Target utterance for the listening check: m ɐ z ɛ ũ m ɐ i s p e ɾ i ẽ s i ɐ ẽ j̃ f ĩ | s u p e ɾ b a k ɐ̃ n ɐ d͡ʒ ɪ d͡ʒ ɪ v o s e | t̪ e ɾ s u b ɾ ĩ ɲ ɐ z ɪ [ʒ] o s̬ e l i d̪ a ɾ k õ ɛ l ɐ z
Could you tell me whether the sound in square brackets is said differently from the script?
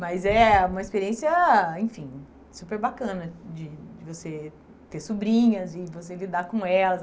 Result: yes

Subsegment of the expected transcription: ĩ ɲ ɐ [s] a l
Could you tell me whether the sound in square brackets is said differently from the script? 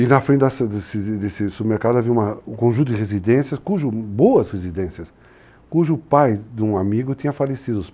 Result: yes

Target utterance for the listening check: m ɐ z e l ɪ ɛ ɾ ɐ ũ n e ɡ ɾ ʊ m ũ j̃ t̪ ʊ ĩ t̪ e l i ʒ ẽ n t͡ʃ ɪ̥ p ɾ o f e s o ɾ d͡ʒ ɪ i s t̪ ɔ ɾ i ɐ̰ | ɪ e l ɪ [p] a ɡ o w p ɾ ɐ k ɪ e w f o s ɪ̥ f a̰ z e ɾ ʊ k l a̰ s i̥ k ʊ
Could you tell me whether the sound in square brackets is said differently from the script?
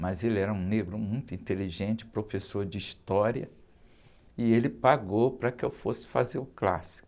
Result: no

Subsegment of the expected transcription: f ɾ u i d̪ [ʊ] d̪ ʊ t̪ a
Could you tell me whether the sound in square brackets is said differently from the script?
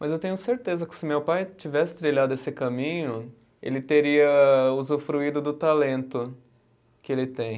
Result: no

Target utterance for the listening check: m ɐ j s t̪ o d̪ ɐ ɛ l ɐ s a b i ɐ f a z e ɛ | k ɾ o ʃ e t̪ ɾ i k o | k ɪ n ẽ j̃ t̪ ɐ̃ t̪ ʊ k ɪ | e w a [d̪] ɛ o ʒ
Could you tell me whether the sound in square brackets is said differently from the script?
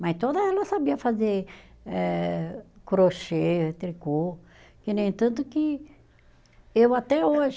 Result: yes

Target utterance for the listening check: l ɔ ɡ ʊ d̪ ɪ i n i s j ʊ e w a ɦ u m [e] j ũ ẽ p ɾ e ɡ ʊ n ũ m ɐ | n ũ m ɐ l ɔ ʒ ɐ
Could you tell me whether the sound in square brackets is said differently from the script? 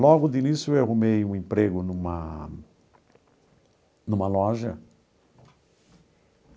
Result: no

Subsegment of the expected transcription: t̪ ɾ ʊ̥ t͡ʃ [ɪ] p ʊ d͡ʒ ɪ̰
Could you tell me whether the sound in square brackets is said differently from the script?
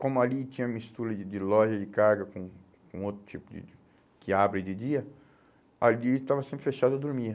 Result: yes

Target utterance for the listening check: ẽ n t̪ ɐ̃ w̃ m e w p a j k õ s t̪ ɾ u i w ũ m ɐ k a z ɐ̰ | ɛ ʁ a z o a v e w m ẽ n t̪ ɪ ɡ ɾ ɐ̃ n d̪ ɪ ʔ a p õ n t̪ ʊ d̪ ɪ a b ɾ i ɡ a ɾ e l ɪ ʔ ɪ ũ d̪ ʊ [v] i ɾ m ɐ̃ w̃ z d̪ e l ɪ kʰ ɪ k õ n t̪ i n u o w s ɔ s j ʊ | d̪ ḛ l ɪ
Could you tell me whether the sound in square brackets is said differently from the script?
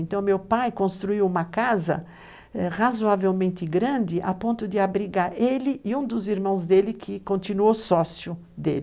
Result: yes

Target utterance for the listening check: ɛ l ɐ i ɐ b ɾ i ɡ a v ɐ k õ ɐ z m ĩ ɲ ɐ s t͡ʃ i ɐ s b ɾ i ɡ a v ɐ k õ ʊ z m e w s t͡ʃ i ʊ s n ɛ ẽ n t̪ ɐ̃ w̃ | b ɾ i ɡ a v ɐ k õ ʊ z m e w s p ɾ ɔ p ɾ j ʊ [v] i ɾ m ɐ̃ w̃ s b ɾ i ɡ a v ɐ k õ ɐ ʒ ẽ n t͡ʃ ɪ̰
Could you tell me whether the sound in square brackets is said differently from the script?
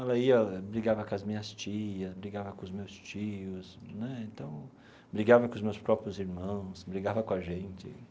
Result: yes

